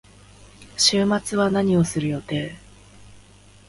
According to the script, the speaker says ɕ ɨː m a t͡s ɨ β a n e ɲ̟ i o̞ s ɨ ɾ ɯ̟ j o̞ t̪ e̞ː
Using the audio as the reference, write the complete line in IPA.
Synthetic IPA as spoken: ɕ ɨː m a t͡s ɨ β a n a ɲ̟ i o̞ s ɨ ɾ ɯ̟ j o̞ t̪ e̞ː